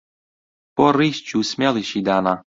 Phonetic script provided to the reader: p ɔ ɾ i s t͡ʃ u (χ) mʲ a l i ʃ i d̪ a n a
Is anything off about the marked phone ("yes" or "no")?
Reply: yes